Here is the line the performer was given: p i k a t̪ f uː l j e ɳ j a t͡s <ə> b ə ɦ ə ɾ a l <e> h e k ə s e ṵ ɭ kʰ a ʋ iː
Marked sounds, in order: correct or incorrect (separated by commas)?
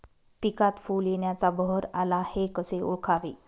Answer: incorrect, incorrect